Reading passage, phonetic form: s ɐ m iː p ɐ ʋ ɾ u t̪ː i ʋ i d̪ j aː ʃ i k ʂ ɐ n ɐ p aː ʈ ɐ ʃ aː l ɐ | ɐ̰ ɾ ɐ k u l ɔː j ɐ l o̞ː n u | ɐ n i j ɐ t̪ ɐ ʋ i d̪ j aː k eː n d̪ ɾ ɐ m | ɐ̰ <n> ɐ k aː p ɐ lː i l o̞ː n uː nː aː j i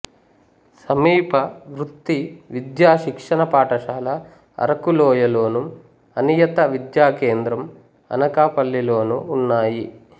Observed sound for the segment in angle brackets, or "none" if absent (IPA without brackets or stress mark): n